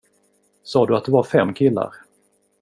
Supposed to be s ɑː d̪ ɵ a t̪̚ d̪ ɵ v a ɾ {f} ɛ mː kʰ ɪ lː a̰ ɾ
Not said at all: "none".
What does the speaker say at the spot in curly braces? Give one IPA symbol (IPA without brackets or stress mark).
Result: f